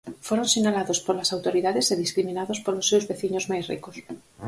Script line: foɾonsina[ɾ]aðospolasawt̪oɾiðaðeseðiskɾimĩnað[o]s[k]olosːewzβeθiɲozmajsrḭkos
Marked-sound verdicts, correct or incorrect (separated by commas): incorrect, correct, incorrect